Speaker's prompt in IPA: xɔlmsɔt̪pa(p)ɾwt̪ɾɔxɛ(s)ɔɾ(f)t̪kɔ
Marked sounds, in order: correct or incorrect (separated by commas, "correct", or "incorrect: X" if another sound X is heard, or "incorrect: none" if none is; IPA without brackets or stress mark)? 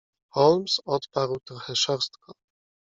incorrect: none, incorrect: ʂ, incorrect: s